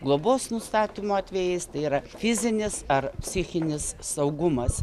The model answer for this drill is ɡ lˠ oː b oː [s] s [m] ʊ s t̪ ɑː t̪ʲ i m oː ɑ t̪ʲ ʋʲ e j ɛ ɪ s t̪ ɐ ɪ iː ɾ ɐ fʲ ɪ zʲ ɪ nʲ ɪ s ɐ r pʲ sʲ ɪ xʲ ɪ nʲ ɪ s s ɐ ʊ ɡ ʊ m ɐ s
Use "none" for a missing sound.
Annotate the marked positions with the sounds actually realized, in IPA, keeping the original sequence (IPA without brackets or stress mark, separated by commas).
s, n